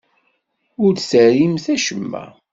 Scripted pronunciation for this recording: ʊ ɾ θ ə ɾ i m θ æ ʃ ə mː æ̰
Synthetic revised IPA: ʊ ɾ s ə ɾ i m θ æ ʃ ə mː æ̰

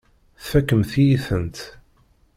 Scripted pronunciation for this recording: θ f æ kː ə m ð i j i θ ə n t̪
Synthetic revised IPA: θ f æ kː ə m θ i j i θ ə n t̪

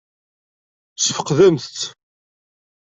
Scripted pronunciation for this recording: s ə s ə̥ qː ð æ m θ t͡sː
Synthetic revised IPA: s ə f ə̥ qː ð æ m θ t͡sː

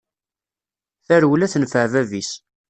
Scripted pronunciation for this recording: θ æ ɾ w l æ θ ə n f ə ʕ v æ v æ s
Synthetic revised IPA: θ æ ɾ w l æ θ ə n f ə ʕ v æ v i s

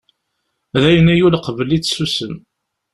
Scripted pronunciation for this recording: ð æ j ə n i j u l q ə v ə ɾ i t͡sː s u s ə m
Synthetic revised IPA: ð æ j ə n æ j u l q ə v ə l i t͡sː s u s ə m

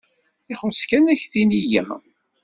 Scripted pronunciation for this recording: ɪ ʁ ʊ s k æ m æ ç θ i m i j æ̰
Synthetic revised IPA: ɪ χ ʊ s k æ n æ ç θ i n i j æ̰

